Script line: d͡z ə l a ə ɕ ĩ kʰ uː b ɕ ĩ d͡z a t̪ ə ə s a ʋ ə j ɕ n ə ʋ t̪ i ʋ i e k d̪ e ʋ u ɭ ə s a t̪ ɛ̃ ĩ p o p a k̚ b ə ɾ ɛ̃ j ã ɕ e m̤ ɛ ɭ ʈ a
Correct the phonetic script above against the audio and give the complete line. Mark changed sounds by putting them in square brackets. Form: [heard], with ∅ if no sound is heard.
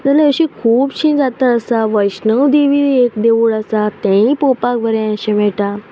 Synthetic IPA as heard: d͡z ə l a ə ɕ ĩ kʰ uː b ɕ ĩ d͡z a t̪ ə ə s a ʋ ə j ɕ n ə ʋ [d̪] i ʋ i e k d̪ e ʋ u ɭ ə s a t̪ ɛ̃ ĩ p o p a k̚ b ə ɾ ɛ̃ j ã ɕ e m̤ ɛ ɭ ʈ a